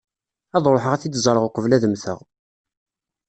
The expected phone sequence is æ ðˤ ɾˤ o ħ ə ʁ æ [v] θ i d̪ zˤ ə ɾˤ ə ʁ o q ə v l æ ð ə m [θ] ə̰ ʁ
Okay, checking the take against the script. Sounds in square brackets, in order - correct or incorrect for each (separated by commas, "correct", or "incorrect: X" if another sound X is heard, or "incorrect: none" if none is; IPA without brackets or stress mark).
incorrect: none, correct